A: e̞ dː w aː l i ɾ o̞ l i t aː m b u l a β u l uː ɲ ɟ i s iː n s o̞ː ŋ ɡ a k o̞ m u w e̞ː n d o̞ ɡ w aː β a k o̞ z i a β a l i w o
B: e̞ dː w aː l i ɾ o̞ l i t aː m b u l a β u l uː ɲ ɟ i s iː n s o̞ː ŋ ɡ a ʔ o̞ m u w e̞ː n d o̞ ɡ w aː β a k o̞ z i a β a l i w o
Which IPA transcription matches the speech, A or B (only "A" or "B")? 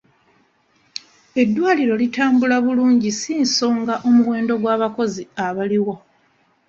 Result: B